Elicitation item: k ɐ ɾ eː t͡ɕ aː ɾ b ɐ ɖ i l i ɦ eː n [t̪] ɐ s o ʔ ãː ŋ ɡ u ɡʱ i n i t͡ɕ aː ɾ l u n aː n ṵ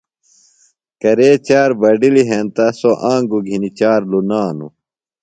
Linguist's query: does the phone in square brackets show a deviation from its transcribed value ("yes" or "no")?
no